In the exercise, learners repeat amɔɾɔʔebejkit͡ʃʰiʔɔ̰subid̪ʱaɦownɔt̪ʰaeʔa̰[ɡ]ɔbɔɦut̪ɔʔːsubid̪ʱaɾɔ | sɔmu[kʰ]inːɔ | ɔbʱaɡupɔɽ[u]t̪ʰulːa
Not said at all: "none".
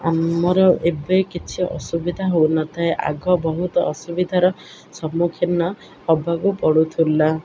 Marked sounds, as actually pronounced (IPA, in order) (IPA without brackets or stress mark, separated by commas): ɡ, kʰ, u